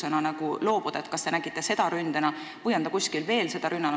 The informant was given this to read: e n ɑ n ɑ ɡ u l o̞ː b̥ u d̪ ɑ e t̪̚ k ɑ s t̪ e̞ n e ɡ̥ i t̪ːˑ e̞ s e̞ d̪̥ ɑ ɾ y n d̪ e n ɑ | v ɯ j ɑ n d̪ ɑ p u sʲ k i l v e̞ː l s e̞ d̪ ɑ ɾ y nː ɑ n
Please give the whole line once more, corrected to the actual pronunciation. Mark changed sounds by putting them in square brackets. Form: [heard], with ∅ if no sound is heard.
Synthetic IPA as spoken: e n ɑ n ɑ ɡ u l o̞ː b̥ u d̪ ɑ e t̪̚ k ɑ s t̪ e̞ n [æ] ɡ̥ i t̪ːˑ e̞ s e̞ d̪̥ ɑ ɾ y n d̪ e n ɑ | v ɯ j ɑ n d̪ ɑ [k] u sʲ k i l v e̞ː l s e̞ d̪ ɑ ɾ y nː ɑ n

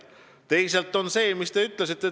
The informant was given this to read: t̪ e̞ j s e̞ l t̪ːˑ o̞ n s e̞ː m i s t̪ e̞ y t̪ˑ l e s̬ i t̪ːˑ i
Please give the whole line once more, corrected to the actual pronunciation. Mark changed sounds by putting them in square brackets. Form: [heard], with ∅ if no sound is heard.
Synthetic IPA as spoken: t̪ e̞ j s e̞ l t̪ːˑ o̞ n s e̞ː m i s t̪ e̞ y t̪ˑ l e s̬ i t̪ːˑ [e]

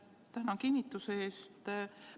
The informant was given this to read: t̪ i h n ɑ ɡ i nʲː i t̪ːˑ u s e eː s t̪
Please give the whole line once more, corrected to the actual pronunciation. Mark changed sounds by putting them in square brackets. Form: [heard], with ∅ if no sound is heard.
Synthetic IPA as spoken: t̪ [æ] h n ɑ [k] i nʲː i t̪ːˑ u s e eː s t̪

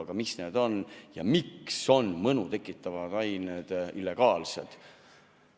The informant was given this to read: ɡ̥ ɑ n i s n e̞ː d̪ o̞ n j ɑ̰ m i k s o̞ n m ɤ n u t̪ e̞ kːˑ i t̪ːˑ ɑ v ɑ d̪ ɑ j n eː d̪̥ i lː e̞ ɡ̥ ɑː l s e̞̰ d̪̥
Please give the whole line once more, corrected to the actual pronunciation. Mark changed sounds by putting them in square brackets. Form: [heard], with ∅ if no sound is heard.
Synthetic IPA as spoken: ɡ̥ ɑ [m] i s n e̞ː d̪ o̞ n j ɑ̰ m i k s o̞ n m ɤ n u t̪ e̞ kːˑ i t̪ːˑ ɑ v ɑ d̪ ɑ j n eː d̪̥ i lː e̞ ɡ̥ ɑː l s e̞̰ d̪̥

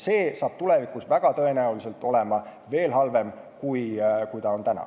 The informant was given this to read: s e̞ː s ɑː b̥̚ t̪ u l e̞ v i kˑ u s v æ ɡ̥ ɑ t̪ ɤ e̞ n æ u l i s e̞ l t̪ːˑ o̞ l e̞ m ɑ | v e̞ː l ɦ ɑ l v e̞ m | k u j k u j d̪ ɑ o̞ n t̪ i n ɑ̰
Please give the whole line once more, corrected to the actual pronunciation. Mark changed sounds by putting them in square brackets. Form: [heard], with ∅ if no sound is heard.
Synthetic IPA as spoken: s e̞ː s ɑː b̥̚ t̪ u l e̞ v i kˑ u s v æ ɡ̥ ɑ t̪ ɤ e̞ n æ u l i s e̞ l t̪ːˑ o̞ l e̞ m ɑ | v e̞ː l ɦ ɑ l v e̞ m | k u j k u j [t̪] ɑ o̞ n t̪ [æ] n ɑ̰

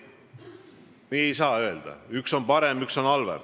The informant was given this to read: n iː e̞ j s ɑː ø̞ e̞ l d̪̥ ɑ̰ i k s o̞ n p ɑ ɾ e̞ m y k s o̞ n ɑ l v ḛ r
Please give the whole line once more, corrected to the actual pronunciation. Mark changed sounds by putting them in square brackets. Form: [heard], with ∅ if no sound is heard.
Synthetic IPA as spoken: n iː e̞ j s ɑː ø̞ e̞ l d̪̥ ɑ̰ [y] k s o̞ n p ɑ ɾ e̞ m y k s o̞ n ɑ l v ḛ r

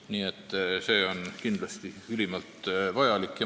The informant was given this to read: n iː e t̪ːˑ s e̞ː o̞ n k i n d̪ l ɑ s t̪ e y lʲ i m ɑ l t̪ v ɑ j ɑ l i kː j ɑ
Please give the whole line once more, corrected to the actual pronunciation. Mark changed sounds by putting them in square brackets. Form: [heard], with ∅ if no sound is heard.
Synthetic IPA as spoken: n iː e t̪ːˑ s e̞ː o̞ n k i n d̪ l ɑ s t̪ [i] y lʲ i m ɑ l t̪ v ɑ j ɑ l i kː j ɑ

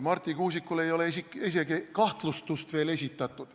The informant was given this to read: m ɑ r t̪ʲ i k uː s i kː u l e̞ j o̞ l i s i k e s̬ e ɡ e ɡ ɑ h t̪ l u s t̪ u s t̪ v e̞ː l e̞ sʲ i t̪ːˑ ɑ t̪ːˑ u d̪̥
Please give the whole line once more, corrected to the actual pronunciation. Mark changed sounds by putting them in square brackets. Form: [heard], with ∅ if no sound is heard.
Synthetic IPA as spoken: m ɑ r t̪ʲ i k uː s i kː u l e̞ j o̞ l [e] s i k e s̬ e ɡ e [k] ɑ h t̪ l u s t̪ u s t̪ v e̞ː l e̞ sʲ i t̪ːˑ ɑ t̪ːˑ u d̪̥

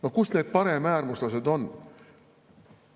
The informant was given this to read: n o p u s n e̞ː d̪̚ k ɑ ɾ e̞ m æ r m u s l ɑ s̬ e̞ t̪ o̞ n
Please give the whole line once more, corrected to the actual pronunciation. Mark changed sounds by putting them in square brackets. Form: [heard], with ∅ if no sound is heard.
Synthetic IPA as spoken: n o [k] u s n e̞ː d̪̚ [p] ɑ ɾ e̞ m [æː] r m u s l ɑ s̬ e̞ [d̪] o̞ n

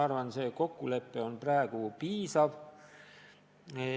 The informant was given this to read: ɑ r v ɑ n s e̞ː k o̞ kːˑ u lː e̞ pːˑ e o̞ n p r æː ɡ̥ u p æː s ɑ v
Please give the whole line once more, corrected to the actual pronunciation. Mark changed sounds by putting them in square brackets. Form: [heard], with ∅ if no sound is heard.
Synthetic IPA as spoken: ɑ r v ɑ n s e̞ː k o̞ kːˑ u [l] e̞ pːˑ e o̞ n p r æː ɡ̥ u p [iː] s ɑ v

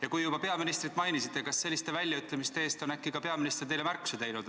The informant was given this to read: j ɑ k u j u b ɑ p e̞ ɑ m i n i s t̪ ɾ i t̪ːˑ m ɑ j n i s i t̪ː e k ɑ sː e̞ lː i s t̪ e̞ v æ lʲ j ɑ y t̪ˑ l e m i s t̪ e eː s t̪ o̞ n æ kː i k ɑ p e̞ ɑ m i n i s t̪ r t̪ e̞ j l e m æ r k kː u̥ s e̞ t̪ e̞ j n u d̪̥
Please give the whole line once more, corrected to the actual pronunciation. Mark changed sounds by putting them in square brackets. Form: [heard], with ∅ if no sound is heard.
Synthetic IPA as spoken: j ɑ k u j u b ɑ p e̞ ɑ m i n i s t̪ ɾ i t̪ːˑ m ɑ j n i s i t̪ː e k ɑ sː e̞ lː i s t̪ e̞ v æ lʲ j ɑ y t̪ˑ l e m i s t̪ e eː s t̪ o̞ n æ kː i k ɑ p e̞ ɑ m i n i s t̪ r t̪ e̞ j l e m æ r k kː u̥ s e̞ t̪ e̞ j n u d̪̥

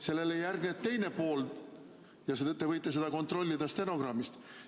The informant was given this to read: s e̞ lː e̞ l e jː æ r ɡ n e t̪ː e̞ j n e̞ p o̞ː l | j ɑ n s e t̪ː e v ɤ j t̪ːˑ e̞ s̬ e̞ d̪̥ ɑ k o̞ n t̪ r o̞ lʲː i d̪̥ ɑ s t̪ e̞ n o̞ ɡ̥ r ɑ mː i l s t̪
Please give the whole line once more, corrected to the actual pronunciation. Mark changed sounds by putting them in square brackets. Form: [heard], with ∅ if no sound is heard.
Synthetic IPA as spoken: s e̞ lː e̞ l e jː æ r ɡ n e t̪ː e̞ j n e̞ p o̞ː l | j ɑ [∅] s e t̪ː e v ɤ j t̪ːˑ e̞ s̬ e̞ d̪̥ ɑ k o̞ n t̪ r o̞ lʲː i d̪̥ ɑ s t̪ e̞ n o̞ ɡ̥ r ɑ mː i [∅] s t̪

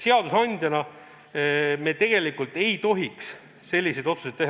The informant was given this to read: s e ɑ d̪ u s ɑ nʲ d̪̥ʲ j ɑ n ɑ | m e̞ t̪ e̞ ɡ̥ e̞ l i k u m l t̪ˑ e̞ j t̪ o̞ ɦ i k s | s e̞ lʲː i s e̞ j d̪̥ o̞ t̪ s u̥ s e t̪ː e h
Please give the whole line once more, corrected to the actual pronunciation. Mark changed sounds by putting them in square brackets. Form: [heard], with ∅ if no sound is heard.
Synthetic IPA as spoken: s e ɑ d̪ u s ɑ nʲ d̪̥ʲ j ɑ n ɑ | m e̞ t̪ e̞ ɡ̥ e̞ l i k u [∅] l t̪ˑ e̞ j t̪ o̞ ɦ i k s | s e̞ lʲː i s e̞ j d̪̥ o̞ t̪ s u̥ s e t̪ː e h

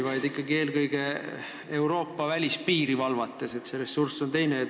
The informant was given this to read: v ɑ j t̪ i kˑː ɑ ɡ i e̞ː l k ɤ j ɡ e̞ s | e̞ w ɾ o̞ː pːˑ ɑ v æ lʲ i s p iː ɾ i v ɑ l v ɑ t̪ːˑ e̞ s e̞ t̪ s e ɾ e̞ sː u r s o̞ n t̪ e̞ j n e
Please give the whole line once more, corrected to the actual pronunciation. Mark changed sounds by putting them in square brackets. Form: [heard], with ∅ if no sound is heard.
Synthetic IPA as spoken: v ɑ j [d̪] i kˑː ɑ ɡ i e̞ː l k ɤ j ɡ e̞ [∅] | e̞ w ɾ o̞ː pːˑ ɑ v æ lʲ i s p iː ɾ i v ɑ l v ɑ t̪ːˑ e̞ s e̞ t̪ s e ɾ e̞ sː u r s o̞ n t̪ e̞ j n e

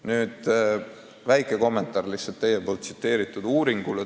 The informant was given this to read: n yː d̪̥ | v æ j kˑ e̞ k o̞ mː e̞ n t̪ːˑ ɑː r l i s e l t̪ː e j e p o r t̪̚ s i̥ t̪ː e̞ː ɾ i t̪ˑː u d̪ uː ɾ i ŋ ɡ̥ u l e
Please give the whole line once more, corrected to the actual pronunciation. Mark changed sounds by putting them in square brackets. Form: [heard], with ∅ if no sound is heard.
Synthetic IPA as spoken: n yː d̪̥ | v æ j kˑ e̞ k o̞ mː e̞ n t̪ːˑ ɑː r l i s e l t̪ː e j e p o [l] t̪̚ s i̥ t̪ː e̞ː ɾ i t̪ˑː u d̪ uː ɾ i ŋ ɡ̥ u l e

